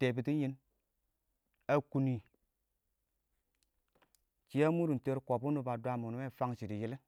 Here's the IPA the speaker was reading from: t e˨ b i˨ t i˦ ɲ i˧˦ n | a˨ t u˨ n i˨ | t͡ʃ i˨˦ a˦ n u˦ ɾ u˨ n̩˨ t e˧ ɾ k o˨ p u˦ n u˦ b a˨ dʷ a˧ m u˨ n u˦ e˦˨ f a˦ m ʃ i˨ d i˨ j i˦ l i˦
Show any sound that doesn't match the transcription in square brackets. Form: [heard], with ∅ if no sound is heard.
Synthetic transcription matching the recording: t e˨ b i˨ t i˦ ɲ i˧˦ n | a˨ [k] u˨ n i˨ | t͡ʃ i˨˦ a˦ [m] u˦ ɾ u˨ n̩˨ t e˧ ɾ k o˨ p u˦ n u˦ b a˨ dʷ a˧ m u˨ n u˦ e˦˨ f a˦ [ŋ] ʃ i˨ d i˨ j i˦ l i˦